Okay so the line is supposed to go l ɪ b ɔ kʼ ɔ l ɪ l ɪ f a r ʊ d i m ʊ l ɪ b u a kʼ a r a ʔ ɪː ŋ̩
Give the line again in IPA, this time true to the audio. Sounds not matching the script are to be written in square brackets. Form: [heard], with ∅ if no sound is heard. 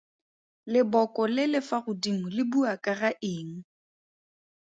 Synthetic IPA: l ɪ b ɔ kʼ ɔ l ɪ l ɪ f a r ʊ d i m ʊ l ɪ b u a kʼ a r a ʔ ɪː ŋ̩